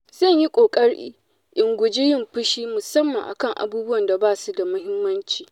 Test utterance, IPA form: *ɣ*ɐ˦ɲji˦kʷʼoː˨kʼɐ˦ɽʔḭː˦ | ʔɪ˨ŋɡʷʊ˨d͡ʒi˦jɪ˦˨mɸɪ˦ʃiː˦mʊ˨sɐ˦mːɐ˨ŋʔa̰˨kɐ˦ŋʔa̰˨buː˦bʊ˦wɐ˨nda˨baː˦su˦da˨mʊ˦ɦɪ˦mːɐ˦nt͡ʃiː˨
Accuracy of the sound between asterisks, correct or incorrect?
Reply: incorrect